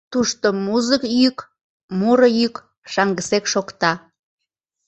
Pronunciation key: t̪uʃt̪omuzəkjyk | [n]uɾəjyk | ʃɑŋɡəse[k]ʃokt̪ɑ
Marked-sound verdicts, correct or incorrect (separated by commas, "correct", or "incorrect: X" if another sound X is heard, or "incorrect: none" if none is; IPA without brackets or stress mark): incorrect: m, correct